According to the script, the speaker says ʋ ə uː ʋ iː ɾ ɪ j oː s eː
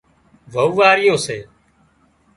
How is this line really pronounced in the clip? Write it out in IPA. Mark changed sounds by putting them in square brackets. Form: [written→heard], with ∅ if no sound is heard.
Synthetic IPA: ʋ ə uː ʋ [iː→aː] ɾ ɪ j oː s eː